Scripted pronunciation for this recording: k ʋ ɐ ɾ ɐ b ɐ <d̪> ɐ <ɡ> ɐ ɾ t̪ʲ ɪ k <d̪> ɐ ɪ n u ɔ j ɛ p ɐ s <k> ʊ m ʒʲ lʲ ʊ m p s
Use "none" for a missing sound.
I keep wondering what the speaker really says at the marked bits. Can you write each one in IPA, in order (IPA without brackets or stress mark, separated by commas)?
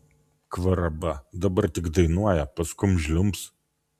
d̪, b, d̪, k